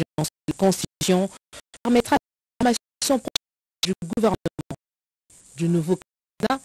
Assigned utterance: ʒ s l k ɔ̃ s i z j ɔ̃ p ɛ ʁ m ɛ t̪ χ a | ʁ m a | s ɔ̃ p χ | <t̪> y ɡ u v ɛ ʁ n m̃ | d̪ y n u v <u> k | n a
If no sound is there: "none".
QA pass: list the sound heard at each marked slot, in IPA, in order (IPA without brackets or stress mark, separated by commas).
d̪, o